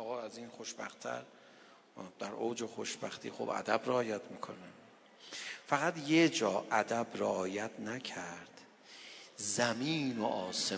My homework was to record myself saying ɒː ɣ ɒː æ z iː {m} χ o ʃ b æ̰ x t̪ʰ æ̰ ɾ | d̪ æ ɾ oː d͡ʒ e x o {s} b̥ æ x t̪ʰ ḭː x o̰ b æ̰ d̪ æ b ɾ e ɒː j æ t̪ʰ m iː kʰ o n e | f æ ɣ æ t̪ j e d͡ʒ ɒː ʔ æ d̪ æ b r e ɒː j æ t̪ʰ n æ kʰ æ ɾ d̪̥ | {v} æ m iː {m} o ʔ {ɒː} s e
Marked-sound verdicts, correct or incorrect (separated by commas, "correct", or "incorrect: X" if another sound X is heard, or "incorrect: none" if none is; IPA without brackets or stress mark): incorrect: n, incorrect: ʃ, incorrect: z, incorrect: n, correct